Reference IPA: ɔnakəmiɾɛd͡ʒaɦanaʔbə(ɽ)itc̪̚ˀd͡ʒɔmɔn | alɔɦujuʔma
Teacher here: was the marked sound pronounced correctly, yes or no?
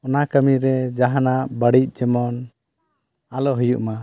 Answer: yes